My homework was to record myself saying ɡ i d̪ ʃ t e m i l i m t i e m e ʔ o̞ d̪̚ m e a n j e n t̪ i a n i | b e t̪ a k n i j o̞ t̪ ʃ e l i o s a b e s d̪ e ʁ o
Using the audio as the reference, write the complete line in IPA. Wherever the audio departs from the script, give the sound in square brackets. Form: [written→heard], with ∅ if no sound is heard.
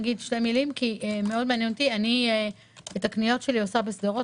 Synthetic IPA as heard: ɡ i d̪ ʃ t e m i l i m [t→k] i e m e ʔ o̞ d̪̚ m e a n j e n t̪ i a n i | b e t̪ a k n i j o̞ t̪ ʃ e l i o s a b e s d̪ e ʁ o